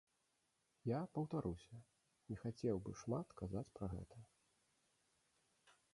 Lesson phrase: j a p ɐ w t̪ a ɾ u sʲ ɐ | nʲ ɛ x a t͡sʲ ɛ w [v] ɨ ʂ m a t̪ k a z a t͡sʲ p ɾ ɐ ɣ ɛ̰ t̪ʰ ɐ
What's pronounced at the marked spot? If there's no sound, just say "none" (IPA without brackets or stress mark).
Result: b